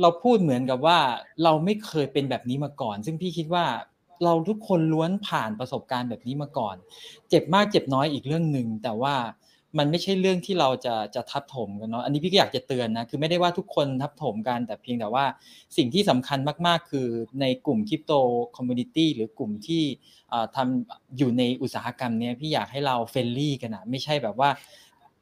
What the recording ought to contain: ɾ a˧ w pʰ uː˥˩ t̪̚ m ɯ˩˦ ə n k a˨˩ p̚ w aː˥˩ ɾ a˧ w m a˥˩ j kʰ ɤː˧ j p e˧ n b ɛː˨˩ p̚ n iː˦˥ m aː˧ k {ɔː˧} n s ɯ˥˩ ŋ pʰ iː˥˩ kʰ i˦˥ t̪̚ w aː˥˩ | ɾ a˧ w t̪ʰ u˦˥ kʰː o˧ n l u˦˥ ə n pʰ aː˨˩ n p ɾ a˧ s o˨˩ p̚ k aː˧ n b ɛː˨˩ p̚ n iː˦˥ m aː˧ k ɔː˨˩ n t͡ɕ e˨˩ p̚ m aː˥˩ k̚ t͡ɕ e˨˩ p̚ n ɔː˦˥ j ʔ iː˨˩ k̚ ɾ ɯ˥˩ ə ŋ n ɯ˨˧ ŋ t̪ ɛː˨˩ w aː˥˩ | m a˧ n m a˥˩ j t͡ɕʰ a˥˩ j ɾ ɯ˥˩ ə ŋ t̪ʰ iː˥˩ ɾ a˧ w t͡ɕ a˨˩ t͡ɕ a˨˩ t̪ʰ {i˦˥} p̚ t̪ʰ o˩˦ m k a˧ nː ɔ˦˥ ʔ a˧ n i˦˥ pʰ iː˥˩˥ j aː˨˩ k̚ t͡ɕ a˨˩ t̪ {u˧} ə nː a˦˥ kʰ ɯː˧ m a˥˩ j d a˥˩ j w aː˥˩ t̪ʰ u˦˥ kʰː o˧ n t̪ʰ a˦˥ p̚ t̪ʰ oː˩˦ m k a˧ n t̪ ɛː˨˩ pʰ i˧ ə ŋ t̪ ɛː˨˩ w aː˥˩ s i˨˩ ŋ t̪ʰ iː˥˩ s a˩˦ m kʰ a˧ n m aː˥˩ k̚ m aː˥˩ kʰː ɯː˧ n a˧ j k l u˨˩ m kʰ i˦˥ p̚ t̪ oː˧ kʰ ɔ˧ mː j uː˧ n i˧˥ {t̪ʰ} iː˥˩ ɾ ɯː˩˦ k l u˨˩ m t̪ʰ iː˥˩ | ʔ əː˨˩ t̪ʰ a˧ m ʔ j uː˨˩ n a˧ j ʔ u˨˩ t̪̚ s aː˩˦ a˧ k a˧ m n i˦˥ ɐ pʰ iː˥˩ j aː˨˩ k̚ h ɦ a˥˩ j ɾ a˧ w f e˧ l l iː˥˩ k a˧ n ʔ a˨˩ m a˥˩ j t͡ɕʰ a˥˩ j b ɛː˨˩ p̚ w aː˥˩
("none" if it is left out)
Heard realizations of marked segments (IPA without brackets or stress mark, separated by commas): ɔː˨˩, a˦˥, ɯ˧, t̪